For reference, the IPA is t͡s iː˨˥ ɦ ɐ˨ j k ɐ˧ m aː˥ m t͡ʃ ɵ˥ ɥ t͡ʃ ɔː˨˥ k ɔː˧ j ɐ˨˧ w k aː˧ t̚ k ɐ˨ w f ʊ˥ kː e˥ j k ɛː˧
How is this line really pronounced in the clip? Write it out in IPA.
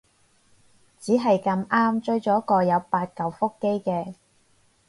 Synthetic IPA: t͡s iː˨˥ ɦ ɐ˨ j k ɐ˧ m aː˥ m t͡ʃ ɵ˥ ɥ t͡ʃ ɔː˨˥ k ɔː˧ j ɐ˨˧ w p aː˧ t̚ k ɐ˨ w f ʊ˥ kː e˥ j k ɛː˧

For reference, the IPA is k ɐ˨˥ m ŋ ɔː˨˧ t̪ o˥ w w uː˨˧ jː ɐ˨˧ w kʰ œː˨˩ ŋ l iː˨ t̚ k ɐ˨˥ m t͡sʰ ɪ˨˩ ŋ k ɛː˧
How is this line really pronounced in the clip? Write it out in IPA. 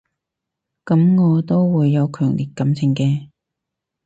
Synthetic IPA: k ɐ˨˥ m ŋ ɔː˨˧ t̪ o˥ w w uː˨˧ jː ɐ˨˧ w kʰ œː˨˩ ŋ l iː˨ t̚ k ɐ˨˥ m t͡sʰ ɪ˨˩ ŋ k ɛː˧

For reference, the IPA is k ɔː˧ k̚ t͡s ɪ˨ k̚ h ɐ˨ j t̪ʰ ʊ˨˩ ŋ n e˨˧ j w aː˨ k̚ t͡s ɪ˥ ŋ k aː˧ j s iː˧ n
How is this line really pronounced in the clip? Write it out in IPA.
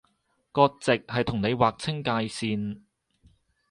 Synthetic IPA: k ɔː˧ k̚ t͡s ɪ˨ k̚ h ɐ˨ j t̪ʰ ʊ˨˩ ŋ n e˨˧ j w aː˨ k̚ t͡sʰ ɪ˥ ŋ k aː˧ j s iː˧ n

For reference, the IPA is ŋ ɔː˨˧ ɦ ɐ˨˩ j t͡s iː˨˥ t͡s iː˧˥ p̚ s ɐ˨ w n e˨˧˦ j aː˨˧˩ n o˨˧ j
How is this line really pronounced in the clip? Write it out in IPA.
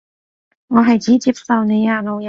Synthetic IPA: ŋ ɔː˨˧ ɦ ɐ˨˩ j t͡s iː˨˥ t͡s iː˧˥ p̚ s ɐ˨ w n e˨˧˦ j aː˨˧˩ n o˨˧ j

